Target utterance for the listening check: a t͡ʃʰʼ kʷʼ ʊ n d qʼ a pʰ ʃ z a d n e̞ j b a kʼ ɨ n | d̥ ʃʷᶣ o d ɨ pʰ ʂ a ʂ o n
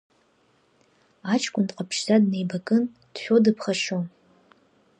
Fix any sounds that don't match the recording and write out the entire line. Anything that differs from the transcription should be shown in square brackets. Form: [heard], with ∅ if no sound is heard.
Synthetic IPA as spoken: a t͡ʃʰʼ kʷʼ ʊ n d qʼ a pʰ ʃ z a d n e̞ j b a kʼ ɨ n | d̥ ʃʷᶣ o d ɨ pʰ [χ] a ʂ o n